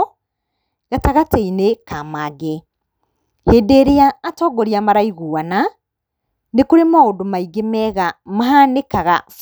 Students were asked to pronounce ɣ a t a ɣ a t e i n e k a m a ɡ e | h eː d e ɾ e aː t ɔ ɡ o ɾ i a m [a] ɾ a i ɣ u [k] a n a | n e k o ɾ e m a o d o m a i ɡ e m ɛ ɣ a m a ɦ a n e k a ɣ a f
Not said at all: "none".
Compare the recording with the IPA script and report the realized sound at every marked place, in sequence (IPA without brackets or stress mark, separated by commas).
a, none